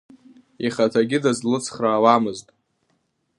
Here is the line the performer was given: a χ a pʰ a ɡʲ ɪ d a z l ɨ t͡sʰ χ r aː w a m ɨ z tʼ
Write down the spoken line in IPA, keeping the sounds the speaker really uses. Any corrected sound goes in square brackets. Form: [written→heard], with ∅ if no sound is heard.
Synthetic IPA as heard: [a→i] χ a [pʰ→tʰ] a ɡʲ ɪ d a z l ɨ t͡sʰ χ r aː w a m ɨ z tʼ